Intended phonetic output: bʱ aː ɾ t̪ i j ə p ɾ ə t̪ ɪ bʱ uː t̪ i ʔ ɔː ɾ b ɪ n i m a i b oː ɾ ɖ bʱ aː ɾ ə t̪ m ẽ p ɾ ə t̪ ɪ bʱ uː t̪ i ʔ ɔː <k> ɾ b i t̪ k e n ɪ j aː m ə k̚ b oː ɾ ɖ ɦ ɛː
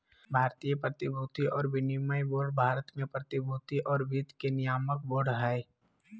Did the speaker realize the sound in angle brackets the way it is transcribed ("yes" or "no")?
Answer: no